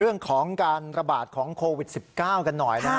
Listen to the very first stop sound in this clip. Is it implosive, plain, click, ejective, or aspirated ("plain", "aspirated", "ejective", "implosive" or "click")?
aspirated